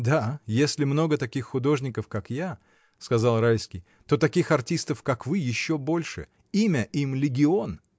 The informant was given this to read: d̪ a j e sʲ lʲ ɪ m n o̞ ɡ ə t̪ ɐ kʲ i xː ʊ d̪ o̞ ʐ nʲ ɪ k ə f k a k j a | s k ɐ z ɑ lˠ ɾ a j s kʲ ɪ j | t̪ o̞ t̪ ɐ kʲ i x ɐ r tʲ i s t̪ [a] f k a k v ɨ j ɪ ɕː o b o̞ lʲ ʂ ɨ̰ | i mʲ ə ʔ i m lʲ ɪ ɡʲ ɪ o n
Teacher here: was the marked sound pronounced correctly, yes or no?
no